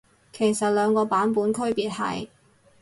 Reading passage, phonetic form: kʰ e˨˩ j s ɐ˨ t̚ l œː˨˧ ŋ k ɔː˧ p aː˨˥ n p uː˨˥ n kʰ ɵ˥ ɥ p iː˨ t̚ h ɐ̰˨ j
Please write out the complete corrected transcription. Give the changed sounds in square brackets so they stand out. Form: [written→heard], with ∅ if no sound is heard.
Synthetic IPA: kʰ e˨˩ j s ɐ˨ t̚ l œː˨˧ ŋ k ɔː˧ p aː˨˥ n p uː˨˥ n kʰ ɵ˥ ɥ p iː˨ t̚ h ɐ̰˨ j